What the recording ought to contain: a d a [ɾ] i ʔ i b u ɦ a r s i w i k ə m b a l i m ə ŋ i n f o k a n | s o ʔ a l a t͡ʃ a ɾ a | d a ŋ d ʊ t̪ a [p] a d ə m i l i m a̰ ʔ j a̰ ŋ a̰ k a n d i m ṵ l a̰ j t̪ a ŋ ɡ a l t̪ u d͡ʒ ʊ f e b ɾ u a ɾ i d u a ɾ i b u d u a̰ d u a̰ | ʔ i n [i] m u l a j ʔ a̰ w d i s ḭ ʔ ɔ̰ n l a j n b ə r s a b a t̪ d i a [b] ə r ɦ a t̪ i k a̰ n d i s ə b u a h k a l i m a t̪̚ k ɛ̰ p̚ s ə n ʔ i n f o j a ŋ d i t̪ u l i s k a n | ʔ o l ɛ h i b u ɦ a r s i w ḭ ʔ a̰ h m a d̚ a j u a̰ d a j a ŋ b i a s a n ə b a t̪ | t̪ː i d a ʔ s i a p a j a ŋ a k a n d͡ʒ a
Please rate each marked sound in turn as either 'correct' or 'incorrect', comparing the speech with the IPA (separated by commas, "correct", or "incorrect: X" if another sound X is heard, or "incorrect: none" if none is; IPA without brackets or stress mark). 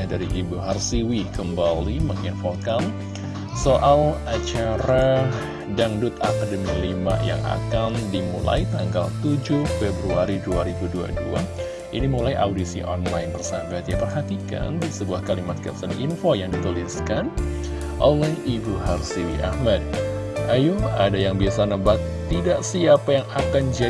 correct, incorrect: k, correct, incorrect: p